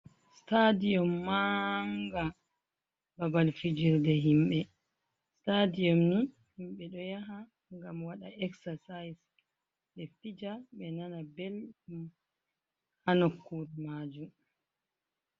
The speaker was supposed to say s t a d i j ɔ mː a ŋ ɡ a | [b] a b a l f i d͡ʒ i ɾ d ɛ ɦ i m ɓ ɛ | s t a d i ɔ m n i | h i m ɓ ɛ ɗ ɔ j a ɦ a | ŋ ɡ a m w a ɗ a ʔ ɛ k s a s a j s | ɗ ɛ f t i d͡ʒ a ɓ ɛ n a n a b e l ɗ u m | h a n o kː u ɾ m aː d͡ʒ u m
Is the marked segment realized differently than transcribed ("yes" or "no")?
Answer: no